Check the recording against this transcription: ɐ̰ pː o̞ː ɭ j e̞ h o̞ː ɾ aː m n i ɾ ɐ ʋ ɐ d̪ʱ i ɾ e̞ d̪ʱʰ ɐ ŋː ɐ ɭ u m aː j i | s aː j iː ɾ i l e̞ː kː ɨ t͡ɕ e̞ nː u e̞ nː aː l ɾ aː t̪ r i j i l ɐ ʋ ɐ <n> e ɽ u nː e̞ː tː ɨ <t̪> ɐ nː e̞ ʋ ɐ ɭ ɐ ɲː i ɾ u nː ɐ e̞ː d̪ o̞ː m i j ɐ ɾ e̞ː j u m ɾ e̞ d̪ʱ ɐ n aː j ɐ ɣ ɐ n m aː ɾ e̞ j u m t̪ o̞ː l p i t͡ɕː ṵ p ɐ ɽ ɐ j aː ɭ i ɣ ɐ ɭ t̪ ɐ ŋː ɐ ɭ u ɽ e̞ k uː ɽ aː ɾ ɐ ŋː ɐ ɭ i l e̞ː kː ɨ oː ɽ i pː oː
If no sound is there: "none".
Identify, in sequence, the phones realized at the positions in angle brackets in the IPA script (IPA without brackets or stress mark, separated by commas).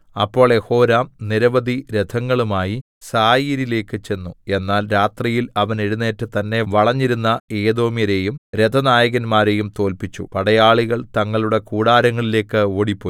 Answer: n, t̪